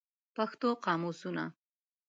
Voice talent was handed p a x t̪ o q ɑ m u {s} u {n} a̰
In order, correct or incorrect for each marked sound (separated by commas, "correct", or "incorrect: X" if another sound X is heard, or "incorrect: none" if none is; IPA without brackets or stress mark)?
correct, correct